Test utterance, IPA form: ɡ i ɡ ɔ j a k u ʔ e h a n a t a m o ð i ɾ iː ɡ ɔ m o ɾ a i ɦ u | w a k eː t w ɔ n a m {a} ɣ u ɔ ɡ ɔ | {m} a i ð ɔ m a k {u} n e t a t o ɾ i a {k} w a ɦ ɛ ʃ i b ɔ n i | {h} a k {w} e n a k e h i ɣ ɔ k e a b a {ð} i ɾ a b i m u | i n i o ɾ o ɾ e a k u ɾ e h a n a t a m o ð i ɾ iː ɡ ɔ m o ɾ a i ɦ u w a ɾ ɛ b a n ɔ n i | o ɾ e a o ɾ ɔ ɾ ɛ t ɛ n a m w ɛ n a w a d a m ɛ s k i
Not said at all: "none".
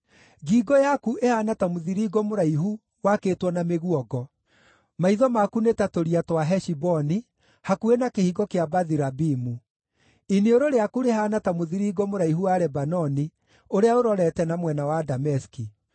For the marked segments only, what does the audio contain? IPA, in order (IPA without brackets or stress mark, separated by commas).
e, m, u, t, h, u, ð